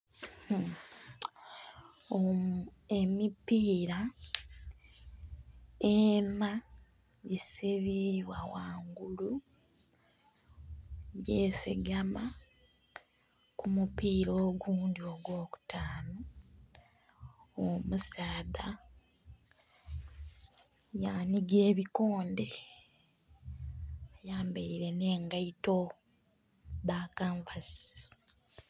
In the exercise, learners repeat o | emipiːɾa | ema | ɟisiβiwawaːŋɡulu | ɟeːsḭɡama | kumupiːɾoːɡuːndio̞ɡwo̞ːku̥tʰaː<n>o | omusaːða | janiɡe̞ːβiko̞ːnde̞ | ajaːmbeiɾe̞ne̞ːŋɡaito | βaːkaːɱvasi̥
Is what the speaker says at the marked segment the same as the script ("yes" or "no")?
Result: yes